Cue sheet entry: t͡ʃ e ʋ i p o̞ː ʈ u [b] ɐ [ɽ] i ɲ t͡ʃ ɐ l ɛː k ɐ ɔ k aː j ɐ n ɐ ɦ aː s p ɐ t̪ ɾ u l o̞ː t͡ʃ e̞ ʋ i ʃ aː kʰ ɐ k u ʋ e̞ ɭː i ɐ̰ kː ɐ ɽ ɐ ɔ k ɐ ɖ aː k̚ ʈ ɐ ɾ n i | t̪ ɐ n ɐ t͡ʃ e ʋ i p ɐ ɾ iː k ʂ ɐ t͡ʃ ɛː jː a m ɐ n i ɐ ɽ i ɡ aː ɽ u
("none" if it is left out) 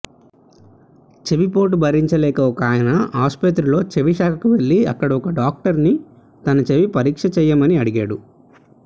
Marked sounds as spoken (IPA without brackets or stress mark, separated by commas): b, ɾ